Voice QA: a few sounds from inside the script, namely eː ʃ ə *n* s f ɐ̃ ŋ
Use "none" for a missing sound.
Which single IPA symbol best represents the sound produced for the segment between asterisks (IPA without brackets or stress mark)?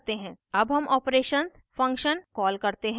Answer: n